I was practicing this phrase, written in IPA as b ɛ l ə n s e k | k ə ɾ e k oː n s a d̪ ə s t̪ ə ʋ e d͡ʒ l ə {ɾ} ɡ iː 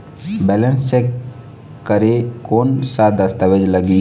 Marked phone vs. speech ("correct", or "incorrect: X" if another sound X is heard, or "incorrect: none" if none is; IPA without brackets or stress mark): incorrect: none